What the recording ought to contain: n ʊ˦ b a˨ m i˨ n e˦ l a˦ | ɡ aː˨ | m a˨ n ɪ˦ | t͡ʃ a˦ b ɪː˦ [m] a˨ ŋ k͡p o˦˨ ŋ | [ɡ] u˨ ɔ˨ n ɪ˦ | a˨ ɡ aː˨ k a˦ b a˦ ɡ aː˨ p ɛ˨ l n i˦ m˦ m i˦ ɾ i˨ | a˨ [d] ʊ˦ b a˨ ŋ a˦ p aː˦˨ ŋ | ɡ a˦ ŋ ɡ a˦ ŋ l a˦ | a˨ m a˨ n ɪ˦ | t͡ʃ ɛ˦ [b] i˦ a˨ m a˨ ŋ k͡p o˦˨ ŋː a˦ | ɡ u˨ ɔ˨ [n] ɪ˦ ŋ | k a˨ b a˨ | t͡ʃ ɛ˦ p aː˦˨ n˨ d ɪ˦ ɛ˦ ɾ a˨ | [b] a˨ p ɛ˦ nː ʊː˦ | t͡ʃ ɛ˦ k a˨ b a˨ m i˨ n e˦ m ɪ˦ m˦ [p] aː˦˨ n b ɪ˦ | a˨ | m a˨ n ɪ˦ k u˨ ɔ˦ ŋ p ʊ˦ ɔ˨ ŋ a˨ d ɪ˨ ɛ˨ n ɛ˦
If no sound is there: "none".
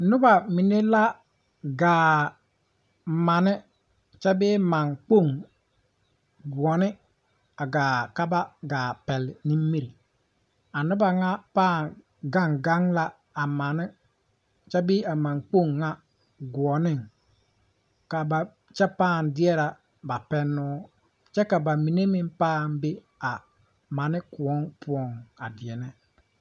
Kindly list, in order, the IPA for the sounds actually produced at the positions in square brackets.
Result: m, ɡ, n, b, n, b, p

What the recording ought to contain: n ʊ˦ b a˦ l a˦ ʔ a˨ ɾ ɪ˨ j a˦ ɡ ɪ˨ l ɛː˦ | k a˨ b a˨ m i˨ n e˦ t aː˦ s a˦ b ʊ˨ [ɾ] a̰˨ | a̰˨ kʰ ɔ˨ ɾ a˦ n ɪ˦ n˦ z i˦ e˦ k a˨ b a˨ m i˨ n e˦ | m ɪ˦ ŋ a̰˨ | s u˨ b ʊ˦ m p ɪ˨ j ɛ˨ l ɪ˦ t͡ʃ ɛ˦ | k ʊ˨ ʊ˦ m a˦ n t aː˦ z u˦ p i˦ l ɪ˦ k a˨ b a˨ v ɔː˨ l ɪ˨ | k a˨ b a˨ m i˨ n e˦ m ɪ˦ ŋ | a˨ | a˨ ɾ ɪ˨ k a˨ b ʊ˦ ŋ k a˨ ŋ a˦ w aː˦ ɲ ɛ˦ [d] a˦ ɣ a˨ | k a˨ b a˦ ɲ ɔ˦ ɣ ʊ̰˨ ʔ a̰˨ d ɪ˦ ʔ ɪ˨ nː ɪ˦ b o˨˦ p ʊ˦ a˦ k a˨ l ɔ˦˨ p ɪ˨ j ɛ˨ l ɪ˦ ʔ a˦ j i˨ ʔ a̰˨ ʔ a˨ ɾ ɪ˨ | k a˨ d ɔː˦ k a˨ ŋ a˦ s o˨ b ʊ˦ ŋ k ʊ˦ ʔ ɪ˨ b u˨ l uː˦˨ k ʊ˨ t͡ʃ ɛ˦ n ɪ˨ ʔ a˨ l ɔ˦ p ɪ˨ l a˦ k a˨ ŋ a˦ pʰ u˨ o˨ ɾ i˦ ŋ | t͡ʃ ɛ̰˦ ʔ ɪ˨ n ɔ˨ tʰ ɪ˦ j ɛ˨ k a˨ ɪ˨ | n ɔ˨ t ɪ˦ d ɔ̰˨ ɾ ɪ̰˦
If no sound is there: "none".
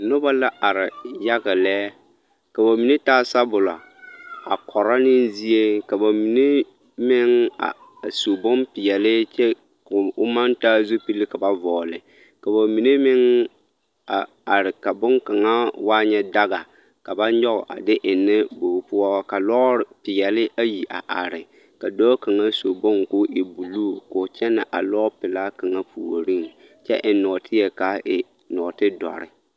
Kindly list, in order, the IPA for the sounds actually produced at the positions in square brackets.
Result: l, d

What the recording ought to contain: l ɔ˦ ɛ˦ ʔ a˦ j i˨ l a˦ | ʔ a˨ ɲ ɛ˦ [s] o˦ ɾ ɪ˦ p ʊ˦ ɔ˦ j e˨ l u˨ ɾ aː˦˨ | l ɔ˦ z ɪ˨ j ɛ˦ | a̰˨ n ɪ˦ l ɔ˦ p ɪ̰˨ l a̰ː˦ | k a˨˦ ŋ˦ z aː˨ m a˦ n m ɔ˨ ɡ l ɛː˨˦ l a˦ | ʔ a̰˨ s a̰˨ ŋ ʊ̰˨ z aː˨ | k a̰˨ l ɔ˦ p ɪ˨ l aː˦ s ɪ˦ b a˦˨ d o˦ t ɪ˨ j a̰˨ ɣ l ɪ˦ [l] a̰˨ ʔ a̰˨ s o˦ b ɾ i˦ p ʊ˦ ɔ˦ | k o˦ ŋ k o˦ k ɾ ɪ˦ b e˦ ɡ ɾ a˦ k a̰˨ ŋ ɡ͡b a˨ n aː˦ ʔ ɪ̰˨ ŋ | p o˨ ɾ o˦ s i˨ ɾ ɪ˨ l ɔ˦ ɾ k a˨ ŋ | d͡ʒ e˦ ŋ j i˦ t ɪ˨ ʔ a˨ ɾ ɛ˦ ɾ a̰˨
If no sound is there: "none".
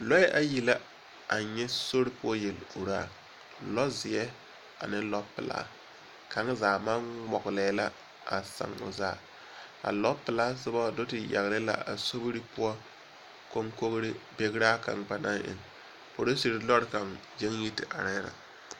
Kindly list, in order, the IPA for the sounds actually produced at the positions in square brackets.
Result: s, l

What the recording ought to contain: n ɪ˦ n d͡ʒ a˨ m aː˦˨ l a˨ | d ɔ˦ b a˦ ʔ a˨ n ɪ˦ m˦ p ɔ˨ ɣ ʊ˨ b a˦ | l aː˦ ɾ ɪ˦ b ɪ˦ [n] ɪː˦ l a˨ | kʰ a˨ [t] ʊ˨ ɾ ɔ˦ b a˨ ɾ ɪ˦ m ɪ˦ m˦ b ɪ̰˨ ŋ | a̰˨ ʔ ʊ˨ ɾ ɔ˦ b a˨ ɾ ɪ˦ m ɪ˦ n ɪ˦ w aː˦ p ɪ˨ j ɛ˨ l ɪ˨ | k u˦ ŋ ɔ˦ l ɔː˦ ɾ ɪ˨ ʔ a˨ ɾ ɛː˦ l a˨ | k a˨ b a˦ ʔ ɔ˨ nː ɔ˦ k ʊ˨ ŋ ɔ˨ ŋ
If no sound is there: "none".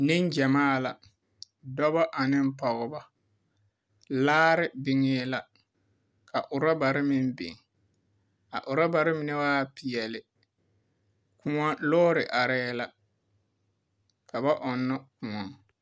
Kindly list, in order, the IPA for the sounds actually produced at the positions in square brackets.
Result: ŋ, ʔ

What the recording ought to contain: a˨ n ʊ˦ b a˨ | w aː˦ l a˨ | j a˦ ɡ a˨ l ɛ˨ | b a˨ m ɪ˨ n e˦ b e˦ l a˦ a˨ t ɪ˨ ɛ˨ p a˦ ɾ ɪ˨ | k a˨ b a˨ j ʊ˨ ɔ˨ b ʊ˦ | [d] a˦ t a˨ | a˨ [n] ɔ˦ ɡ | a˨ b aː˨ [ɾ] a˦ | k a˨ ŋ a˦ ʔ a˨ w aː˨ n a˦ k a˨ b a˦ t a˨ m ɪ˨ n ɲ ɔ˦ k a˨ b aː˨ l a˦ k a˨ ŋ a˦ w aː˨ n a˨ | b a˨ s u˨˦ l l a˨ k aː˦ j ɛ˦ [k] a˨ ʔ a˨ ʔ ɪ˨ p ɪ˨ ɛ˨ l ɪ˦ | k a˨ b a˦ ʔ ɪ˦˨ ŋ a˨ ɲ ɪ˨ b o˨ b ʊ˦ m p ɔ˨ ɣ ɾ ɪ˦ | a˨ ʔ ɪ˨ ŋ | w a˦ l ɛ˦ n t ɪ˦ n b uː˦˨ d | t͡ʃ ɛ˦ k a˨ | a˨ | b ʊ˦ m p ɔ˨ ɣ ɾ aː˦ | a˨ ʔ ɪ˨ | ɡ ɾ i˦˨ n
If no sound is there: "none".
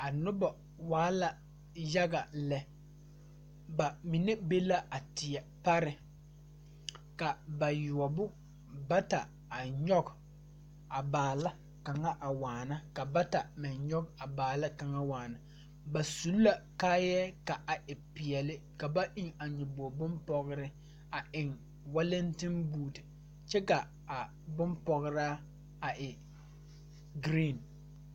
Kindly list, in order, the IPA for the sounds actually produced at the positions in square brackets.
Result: b, ɲ, l, k

